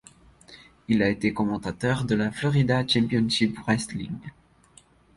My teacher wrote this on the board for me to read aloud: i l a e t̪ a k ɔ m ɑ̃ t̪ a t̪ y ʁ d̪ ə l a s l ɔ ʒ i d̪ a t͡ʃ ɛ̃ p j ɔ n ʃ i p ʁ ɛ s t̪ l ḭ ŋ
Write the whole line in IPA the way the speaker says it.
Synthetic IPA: i l a e t̪ e k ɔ m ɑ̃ t̪ a t̪ œ ʁ d̪ ə l a f l ɔ ʁ i d̪ a t͡ʃ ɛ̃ p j ɔ n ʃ i p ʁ ɛ s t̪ l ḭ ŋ